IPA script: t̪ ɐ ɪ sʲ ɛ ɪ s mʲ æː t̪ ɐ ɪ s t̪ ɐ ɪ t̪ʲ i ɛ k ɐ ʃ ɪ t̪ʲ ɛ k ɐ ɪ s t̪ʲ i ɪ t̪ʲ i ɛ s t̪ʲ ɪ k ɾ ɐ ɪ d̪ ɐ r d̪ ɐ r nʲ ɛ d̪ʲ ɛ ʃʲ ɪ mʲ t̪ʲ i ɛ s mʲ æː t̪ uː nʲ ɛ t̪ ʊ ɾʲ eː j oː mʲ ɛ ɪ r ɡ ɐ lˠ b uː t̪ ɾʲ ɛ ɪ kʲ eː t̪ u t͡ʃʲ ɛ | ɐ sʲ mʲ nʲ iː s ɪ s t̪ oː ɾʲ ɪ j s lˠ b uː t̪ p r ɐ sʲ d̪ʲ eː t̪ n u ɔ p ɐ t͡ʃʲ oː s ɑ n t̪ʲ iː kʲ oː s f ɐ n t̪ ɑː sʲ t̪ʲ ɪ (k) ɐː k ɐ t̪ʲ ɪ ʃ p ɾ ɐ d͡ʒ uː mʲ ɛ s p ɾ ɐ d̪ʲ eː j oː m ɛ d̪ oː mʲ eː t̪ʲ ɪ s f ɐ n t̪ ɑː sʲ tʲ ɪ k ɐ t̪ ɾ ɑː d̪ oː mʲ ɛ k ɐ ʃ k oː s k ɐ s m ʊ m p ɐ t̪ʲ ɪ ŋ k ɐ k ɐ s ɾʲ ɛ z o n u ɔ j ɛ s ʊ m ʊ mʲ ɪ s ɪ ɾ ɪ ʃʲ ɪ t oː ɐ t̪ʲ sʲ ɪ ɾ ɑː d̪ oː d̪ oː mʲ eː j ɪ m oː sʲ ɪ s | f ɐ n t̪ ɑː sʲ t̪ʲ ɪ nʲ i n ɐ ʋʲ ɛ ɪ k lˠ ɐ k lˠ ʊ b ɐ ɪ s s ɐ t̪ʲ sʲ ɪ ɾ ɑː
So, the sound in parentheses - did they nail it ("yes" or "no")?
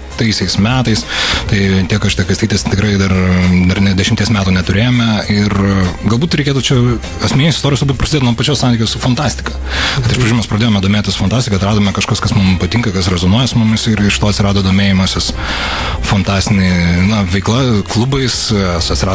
yes